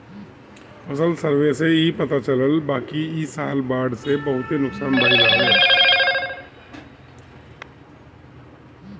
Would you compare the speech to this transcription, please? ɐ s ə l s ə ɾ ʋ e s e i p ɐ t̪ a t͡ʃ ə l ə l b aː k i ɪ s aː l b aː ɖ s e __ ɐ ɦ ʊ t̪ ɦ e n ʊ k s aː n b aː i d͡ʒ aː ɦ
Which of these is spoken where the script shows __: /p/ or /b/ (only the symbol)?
b